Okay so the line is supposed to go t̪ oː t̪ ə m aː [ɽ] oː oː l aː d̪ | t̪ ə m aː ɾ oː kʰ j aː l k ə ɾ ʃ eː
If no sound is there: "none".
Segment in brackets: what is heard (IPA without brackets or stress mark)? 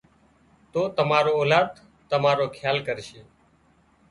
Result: ɾ